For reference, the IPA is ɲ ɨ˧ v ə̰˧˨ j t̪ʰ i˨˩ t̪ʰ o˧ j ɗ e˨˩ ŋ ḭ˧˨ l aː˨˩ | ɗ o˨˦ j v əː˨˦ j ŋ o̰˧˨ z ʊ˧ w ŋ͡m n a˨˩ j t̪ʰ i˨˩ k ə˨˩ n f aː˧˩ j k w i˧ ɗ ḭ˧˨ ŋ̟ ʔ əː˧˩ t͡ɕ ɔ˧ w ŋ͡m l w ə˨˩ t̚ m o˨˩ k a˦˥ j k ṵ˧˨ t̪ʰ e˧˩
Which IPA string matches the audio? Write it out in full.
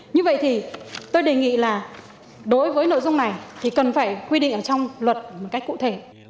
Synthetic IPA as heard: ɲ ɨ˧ v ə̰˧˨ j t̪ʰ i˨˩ t̪ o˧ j ɗ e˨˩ ŋ ḭ˧˨ l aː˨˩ | ɗ o˨˦ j v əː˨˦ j n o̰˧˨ z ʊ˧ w ŋ͡m n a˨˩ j t̪ʰ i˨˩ k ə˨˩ n f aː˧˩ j k w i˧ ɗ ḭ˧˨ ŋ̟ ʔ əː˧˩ t͡ɕ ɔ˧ w ŋ͡m l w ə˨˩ t̚ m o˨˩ k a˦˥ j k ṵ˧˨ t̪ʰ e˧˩